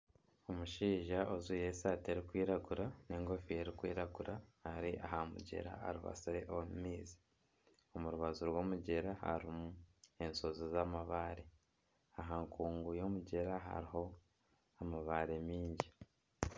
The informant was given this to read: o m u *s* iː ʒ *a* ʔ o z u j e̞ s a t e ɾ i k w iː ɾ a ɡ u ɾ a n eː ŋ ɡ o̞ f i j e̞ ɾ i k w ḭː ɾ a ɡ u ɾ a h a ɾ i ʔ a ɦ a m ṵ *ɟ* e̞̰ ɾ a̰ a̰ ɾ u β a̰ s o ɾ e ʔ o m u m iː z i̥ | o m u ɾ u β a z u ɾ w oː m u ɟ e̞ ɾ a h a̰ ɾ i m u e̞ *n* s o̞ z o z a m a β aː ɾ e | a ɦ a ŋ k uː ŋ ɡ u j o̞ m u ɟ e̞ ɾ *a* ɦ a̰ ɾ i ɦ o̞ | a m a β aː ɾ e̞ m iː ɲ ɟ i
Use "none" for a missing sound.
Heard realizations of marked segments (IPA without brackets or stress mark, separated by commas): ʃ, a, ɟ, n, a